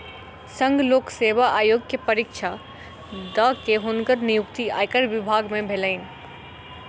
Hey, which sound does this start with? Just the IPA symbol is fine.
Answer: s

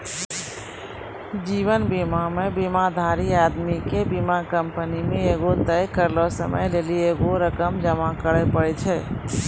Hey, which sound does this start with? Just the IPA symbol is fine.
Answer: d͡ʒ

